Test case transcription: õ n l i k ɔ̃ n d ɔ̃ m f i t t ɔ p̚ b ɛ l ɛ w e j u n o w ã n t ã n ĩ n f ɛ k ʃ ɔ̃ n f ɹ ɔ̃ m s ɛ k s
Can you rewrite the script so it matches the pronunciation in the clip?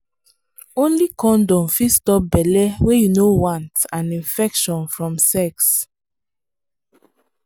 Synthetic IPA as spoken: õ n l i k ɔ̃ n d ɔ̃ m f i s t ɔ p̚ b ɛ l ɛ w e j u n o w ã n t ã n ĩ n f ɛ k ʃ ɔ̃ n f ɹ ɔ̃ m s ɛ k s